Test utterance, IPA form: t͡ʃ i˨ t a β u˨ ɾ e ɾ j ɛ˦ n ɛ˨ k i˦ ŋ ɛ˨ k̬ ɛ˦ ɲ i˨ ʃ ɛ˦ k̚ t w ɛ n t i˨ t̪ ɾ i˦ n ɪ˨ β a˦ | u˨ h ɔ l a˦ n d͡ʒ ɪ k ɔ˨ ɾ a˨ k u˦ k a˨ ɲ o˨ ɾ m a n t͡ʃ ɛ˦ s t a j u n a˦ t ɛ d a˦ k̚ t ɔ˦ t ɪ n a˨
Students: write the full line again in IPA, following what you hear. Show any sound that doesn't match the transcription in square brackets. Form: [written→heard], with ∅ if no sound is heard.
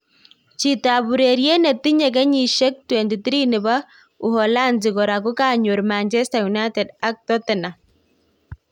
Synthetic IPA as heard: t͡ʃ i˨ t a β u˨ ɾ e ɾ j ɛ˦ n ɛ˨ [k→t] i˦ [ŋ→ɲ] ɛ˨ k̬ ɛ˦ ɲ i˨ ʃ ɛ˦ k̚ t w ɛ n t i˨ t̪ ɾ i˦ n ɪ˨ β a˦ | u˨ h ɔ l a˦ n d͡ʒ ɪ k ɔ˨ ɾ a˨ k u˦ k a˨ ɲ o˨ ɾ m a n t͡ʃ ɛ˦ s t a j u n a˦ t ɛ d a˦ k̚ t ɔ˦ t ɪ n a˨